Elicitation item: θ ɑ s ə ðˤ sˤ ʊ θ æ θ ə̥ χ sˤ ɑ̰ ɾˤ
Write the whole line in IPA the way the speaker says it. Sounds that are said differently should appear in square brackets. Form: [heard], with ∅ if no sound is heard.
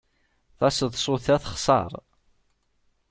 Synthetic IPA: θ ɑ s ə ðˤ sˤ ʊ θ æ θ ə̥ χ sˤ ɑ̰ ɾˤ